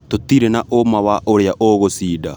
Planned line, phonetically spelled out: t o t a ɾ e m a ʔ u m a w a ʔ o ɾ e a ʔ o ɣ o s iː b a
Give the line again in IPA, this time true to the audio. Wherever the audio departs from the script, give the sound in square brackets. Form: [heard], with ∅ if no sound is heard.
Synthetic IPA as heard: t o t [i] ɾ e [n] a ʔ [o] m a w a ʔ o ɾ e a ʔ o ɣ o s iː [d] a